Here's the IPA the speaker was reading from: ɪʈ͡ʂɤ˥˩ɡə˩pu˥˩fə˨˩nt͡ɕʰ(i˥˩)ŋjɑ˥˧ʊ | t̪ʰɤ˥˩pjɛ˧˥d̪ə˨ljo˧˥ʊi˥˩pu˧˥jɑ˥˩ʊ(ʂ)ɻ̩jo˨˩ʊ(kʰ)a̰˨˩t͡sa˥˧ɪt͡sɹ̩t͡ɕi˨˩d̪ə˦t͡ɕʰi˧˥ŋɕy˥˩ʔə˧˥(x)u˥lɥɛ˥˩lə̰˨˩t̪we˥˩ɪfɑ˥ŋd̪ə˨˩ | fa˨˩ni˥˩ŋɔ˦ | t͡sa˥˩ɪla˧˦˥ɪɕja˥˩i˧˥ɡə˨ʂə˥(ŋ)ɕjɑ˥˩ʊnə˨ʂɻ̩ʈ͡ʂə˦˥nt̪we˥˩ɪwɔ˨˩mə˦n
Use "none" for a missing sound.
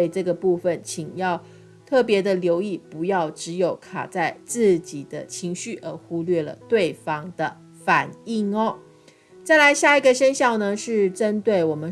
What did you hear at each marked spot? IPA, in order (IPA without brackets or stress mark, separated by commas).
i˨˩, ʈ͡ʂ, kʰ, x, n